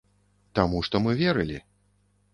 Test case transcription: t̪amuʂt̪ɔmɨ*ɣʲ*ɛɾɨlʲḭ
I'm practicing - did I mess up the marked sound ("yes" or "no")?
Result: yes